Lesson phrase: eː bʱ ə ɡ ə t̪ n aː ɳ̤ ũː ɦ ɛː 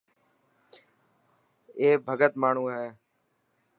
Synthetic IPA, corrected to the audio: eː bʱ ə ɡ ə t̪ m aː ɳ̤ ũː ɦ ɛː